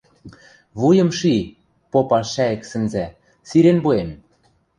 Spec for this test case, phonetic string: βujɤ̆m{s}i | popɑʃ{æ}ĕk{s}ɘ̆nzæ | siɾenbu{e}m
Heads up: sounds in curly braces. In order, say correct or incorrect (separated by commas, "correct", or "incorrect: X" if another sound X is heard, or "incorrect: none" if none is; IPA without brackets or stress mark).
incorrect: ʃ, correct, correct, correct